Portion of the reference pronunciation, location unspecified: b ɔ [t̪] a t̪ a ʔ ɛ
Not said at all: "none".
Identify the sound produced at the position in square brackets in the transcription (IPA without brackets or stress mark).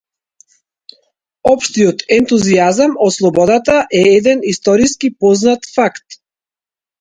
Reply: d̪